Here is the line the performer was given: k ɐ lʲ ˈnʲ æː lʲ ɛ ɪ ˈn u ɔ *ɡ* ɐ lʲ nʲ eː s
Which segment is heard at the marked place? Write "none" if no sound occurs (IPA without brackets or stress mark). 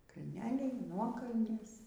k